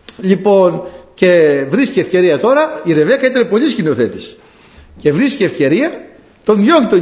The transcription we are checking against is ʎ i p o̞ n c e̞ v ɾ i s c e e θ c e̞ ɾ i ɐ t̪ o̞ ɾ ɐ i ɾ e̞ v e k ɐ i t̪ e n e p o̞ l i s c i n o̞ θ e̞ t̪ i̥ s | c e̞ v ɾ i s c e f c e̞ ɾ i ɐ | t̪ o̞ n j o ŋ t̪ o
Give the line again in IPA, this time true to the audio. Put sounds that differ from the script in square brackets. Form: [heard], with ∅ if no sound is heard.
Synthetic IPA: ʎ i p o̞ n c e̞ v ɾ i s c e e [f] c e̞ ɾ i ɐ t̪ o̞ ɾ ɐ i ɾ e̞ v e k ɐ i t̪ e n e p o̞ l i s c i n o̞ θ e̞ t̪ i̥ s | c e̞ v ɾ i s c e f c e̞ ɾ i ɐ | t̪ o̞ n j o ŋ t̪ o